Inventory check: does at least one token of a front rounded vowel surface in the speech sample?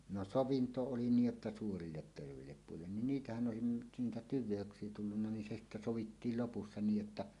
yes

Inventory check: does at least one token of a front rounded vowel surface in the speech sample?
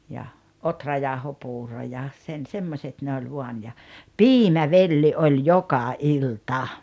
no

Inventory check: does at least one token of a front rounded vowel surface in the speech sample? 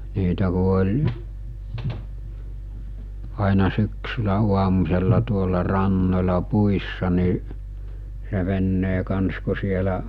yes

